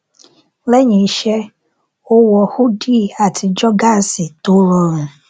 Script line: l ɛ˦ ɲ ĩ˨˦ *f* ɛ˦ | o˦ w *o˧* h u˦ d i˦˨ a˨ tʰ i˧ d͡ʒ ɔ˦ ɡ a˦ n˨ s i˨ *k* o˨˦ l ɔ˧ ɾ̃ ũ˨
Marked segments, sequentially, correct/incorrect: incorrect, incorrect, incorrect

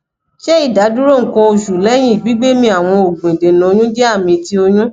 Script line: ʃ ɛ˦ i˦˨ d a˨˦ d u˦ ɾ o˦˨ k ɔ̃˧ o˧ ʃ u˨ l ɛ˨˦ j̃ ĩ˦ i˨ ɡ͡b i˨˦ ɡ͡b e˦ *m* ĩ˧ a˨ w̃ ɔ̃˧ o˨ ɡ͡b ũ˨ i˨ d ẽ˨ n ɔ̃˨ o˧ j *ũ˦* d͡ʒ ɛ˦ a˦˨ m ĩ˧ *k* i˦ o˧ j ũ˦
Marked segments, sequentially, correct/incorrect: correct, correct, incorrect

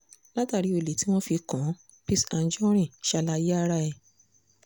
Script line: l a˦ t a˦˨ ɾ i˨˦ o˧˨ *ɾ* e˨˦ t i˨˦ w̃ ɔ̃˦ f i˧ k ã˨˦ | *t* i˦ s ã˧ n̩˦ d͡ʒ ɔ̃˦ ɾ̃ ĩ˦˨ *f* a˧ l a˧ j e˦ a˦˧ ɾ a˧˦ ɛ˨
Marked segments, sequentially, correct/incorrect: incorrect, incorrect, incorrect

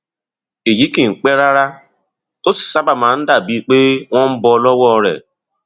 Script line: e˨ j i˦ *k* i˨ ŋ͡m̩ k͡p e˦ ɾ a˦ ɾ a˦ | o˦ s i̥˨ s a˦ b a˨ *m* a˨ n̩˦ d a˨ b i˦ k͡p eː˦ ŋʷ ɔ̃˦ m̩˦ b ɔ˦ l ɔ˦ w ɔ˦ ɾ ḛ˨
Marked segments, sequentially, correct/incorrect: correct, correct

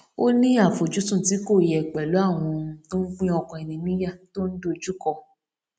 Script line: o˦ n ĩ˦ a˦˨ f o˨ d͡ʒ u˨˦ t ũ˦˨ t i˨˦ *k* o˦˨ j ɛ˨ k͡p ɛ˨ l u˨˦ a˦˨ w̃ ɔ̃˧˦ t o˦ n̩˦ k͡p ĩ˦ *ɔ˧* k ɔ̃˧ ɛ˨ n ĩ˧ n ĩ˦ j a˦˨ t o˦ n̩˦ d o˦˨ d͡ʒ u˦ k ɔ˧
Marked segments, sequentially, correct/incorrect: correct, correct

